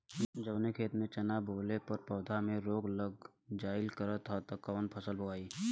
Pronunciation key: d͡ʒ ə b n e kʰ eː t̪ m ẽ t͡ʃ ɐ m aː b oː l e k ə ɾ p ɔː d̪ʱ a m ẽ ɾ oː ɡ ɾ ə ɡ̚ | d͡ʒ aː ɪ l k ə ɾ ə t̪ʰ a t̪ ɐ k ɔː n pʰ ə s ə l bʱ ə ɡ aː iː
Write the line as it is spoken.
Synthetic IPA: d͡ʒ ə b n e kʰ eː t̪ m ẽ t͡ʃ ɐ n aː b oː l e p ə ɾ p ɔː d̪ʱ a m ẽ ɾ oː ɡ l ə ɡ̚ | d͡ʒ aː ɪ l k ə ɾ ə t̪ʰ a t̪ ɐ k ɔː n pʰ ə s ə l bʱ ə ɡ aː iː